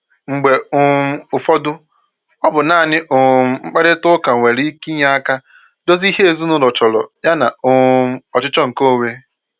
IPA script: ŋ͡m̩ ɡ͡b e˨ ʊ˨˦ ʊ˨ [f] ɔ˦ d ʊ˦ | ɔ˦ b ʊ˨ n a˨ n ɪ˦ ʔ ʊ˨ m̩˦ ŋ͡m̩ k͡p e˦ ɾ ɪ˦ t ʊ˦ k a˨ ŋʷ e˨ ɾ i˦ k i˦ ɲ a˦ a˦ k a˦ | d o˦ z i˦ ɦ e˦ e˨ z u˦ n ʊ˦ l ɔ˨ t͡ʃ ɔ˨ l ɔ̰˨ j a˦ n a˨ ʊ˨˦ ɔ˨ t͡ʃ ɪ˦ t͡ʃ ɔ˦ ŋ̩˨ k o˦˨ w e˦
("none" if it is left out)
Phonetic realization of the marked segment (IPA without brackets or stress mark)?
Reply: f